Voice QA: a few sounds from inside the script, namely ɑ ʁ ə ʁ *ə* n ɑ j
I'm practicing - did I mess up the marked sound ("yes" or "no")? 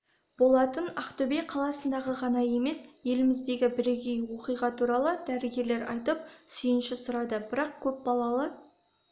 yes